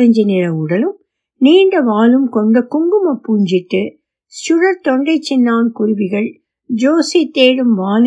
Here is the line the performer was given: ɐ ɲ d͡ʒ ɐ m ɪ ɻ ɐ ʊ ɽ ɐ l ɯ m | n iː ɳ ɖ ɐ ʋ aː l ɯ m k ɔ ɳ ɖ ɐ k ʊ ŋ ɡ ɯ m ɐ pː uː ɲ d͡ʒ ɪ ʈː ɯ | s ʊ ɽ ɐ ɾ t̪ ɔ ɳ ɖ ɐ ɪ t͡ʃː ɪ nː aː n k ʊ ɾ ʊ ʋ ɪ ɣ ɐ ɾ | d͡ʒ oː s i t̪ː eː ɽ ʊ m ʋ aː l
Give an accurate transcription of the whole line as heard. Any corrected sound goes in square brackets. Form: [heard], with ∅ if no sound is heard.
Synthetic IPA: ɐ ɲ d͡ʒ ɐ [n] ɪ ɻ ɐ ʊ ɽ ɐ l ɯ m | n iː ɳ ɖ ɐ ʋ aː l ɯ m k ɔ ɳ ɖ ɐ k ʊ ŋ ɡ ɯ m ɐ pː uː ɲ d͡ʒ ɪ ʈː ɯ | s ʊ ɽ ɐ ɾ t̪ ɔ ɳ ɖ ɐ ɪ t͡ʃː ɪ nː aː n k ʊ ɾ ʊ ʋ ɪ ɣ ɐ [ɭ] | d͡ʒ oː s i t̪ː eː ɽ [ɯ] m ʋ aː l